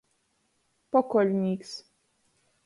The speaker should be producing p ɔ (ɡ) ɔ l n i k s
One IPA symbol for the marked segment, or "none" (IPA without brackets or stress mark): k